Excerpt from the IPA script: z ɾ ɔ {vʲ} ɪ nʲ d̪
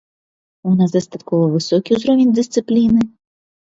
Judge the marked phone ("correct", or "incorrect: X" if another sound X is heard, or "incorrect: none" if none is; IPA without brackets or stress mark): correct